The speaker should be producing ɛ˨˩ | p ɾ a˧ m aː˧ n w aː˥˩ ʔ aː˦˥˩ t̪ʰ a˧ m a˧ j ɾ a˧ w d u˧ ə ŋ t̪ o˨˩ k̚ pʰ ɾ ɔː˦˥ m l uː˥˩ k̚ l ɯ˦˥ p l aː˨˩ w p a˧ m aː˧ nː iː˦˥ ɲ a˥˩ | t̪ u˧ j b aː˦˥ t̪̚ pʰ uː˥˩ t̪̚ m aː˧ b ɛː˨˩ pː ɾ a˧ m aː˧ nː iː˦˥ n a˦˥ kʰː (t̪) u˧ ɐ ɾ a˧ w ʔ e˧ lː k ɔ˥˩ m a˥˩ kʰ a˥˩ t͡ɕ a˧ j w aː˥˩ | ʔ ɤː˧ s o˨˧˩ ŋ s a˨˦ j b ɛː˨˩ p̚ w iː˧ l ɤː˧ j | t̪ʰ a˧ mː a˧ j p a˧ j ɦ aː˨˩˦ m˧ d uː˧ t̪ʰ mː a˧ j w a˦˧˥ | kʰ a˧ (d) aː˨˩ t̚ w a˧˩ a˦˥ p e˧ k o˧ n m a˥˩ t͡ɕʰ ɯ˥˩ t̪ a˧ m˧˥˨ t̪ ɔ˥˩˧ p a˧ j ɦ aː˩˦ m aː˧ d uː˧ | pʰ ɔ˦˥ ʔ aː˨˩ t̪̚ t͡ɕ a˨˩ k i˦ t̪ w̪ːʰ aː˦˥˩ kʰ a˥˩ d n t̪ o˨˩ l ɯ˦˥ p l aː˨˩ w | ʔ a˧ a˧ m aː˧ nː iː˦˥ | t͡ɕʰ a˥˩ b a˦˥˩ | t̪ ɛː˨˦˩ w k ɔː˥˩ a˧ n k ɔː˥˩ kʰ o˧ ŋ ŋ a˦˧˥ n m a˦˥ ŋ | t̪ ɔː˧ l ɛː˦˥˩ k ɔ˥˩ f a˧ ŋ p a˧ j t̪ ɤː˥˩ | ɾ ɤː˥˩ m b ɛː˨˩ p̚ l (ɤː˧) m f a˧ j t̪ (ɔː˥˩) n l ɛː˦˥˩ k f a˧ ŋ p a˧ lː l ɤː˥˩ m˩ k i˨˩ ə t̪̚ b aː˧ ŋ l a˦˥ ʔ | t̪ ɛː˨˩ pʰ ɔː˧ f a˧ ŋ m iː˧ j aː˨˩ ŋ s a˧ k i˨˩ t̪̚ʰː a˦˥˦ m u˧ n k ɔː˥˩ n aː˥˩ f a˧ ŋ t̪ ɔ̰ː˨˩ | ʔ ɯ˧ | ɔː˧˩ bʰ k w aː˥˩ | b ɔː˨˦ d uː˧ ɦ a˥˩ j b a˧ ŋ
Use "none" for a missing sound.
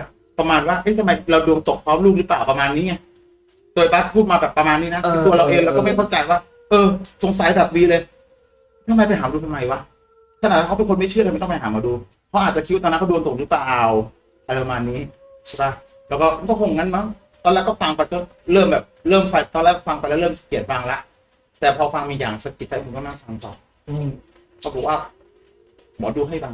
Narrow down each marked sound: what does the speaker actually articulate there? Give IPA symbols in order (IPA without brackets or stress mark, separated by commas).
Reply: t̪, n, ɤː˥˩, ɔː˧